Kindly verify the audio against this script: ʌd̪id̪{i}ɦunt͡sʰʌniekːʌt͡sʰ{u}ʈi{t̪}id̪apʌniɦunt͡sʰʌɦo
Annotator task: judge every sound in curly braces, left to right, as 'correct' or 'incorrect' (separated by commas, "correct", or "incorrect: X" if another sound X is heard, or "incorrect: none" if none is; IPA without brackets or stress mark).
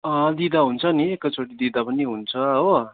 incorrect: a, incorrect: o, incorrect: d̪